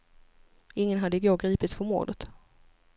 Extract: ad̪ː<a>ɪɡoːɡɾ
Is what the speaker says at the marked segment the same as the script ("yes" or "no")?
no